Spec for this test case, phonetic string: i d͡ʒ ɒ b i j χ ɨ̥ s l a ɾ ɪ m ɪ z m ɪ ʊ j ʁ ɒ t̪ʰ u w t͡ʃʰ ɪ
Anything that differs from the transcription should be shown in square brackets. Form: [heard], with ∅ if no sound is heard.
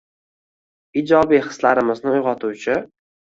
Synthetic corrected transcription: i d͡ʒ ɒ b i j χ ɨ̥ s l a ɾ ɪ m ɪ z [n] ɪ ʊ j ʁ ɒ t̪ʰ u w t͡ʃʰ ɪ